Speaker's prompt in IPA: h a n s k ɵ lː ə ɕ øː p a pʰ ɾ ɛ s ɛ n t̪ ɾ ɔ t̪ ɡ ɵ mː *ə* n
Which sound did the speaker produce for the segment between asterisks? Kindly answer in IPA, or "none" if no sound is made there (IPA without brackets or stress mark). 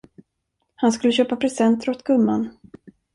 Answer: a